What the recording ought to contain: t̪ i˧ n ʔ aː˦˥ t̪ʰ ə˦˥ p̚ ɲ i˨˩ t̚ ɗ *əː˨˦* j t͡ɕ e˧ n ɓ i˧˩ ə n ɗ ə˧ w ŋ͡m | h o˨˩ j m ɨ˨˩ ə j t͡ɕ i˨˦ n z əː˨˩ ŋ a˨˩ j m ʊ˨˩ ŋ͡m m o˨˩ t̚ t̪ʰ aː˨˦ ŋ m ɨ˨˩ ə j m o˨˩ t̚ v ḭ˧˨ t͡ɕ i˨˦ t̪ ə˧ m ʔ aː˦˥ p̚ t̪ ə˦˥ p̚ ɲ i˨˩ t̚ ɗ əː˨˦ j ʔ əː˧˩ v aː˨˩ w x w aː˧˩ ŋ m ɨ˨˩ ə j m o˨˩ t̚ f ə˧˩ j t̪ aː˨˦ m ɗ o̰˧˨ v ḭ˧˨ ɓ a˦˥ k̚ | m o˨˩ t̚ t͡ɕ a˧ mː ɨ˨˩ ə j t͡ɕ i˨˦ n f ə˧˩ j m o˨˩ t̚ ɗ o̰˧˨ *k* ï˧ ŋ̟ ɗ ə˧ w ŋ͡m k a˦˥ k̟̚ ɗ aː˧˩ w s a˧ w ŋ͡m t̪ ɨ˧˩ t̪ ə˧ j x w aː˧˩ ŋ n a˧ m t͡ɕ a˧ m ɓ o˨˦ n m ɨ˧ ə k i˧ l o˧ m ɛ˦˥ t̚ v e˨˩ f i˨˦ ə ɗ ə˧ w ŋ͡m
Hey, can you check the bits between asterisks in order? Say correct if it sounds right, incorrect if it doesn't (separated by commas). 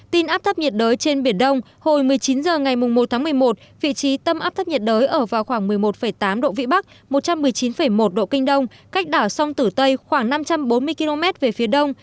correct, correct